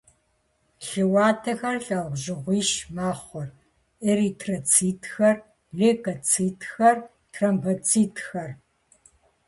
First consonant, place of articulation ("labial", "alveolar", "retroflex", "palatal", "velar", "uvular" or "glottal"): alveolar